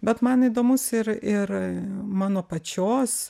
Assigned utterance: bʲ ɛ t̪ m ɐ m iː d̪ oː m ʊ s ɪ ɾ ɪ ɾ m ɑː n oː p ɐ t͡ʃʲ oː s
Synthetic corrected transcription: bʲ ɛ t̪ m ɐ n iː d̪ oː m ʊ s ɪ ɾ ɪ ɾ m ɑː n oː p ɐ t͡ʃʲ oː s

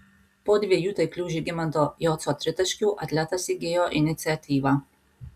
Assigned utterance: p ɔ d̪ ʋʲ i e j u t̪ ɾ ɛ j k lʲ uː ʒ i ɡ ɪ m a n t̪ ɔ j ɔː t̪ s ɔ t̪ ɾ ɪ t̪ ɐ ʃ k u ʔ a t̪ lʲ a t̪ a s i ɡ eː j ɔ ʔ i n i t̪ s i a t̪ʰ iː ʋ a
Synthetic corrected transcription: p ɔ d̪ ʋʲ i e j u t̪ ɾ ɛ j k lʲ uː ʒ i ɡ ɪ m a n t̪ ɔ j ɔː t̪ s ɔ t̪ ɾ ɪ t̪ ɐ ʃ k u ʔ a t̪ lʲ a t̪ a s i ɡ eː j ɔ ʔ i n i t̪ s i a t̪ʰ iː ʋ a

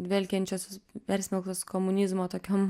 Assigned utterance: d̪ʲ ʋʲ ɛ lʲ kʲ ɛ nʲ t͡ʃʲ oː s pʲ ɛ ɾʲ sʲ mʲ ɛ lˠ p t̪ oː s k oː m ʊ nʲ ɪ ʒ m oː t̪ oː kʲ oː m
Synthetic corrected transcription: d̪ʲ ʋʲ ɛ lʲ kʲ ɛ nʲ t͡ʃʲ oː s pʲ ɛ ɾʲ sʲ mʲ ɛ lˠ k t̪ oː s k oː m ʊ nʲ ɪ z m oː t̪ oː kʲ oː m

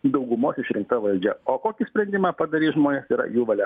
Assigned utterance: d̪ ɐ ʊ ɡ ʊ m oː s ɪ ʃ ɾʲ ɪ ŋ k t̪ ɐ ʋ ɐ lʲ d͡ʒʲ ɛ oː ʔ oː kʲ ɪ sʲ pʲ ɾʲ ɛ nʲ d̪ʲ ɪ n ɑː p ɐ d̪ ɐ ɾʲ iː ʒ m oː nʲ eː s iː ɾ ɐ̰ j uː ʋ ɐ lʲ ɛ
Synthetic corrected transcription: d̪ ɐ ʊ ɡ ʊ m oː s ɪ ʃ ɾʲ ɪ ŋ k t̪ ɐ ʋ ɐ lʲ d͡ʒʲ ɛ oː k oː kʲ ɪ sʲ pʲ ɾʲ ɛ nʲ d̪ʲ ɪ m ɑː p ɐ d̪ ɐ ɾʲ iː ʒ m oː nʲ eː s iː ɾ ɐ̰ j uː ʋ ɐ lʲ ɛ

